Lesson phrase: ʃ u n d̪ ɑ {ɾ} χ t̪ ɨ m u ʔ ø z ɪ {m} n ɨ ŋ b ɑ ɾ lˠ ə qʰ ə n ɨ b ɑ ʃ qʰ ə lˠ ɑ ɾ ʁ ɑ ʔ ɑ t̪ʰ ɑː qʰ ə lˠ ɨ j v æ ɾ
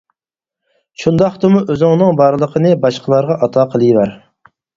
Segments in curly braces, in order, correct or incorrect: incorrect: none, incorrect: ŋ

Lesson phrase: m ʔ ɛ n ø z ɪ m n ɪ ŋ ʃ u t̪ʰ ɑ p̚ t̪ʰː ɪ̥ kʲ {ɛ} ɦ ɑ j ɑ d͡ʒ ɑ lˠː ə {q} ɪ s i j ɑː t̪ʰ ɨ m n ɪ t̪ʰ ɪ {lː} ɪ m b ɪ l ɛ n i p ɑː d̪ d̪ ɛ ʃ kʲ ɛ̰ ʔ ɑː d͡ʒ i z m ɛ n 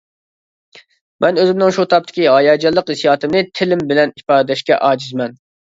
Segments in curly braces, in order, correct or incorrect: incorrect: i, correct, incorrect: l

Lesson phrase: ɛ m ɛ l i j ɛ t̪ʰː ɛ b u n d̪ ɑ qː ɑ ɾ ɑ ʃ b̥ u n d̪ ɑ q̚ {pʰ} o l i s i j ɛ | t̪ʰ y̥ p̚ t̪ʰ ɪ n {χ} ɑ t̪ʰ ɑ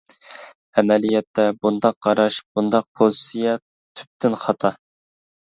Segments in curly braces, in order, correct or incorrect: correct, correct

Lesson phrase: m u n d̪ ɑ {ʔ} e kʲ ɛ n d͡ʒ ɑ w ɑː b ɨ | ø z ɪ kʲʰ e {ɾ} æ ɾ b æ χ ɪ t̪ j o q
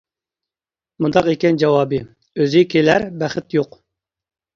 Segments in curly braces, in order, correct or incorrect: incorrect: q, incorrect: l

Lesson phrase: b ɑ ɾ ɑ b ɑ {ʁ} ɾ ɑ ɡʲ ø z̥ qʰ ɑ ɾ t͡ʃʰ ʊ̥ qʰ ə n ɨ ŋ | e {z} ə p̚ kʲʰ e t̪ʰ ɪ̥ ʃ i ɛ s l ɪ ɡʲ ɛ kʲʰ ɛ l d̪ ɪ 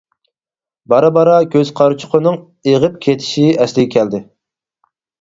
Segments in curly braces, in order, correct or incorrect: incorrect: none, incorrect: ʁ

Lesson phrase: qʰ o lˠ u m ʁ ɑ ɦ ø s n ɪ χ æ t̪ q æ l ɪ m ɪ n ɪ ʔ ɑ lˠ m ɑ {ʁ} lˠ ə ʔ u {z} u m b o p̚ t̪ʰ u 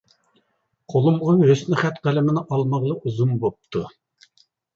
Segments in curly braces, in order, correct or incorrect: correct, correct

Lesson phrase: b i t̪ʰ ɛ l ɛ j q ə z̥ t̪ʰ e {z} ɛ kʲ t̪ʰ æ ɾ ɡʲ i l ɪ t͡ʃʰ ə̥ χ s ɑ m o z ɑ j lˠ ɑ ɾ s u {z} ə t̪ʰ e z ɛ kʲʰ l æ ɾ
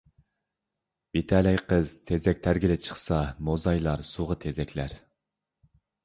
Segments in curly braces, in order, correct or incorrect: correct, incorrect: ʁ

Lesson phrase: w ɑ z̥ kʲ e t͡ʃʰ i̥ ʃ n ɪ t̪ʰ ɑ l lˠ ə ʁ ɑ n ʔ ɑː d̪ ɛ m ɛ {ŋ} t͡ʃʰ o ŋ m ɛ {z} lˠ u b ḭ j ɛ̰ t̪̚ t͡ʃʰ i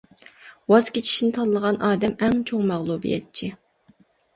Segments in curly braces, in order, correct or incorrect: correct, incorrect: ʁ

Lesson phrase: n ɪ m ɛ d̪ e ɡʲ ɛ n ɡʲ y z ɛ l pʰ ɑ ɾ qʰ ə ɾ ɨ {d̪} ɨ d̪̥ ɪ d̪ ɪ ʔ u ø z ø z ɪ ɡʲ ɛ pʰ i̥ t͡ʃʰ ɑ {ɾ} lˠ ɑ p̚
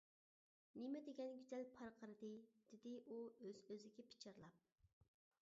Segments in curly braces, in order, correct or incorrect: correct, correct

